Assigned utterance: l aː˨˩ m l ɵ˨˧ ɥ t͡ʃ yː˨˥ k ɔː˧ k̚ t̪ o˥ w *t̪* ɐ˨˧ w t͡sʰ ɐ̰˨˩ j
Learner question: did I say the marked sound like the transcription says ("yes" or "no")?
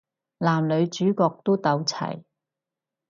yes